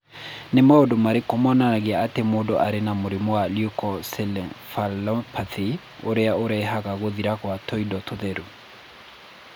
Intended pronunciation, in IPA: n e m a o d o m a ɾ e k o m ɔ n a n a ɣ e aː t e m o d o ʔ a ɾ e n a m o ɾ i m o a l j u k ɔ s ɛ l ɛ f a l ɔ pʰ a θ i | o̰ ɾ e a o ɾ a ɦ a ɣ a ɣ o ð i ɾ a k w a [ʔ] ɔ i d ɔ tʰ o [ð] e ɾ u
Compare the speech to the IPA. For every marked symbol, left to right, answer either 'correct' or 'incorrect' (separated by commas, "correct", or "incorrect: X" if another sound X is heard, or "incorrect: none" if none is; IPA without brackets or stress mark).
incorrect: t, correct